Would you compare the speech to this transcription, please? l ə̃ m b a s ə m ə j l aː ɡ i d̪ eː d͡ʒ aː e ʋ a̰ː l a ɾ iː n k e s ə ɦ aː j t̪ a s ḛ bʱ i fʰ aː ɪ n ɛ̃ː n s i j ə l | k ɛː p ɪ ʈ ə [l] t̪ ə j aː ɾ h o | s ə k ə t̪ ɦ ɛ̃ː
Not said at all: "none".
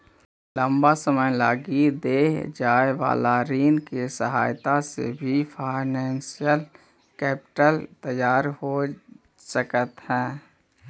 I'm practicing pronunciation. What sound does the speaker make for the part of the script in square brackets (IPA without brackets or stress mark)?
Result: l